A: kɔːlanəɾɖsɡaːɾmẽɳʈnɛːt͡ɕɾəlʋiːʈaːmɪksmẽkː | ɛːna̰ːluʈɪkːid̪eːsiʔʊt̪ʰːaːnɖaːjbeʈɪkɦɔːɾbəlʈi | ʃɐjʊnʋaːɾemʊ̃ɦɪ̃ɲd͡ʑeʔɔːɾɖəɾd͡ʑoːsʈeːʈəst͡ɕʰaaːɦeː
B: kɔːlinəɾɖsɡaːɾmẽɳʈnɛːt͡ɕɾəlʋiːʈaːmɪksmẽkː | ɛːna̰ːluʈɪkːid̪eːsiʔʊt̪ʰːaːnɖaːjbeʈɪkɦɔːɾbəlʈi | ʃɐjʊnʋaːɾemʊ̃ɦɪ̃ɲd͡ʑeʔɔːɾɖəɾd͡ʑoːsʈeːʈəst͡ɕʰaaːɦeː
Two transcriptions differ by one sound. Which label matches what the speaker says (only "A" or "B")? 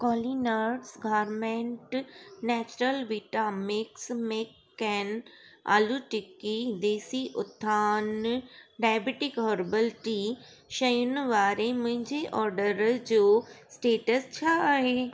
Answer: B